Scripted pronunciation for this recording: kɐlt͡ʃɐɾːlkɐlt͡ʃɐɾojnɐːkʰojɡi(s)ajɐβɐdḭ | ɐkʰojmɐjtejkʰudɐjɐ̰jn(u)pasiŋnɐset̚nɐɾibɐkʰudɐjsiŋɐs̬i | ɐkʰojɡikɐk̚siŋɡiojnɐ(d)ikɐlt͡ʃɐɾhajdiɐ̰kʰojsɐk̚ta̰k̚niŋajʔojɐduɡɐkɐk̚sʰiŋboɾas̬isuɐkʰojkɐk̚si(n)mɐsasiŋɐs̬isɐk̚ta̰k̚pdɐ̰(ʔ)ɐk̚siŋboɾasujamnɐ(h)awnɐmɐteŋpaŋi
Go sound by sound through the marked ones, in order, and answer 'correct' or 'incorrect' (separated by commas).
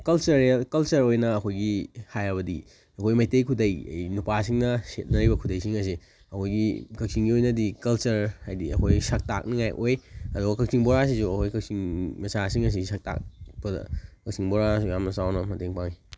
incorrect, correct, correct, incorrect, incorrect, incorrect